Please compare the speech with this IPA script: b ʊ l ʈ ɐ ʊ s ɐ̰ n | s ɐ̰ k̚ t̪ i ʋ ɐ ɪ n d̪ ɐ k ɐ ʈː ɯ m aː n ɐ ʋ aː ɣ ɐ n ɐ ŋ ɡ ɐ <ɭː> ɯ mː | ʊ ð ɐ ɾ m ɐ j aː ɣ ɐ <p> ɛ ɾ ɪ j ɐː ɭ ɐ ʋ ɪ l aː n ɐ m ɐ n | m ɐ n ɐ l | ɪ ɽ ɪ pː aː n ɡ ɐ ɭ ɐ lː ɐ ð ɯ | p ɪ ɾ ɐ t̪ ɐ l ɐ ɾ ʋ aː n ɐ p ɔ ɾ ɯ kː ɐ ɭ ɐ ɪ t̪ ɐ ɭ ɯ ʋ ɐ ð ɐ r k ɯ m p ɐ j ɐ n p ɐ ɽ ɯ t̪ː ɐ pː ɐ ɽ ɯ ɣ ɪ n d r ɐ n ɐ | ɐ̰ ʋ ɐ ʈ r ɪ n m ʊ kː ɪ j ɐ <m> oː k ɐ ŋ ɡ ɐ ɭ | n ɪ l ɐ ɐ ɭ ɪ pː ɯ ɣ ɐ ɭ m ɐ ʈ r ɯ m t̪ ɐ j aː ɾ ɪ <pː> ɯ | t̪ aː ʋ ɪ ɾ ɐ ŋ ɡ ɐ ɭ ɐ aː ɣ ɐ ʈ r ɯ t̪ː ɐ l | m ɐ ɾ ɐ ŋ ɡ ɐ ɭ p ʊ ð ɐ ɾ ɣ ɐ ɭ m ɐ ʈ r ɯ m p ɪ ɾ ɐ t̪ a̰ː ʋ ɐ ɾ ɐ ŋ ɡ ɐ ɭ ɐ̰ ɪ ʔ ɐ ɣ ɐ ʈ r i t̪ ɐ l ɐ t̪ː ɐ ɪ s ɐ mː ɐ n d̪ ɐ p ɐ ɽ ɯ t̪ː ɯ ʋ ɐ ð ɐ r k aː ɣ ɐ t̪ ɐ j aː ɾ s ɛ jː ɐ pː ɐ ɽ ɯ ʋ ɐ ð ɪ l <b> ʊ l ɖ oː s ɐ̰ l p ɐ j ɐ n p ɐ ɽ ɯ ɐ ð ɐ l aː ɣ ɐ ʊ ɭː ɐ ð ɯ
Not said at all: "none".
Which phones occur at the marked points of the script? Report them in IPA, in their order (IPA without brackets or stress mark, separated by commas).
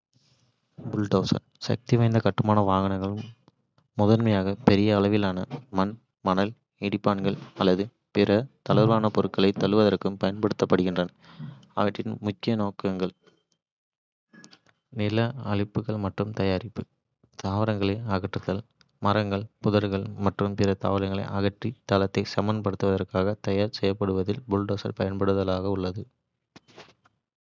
ɭ, p, n, pː, b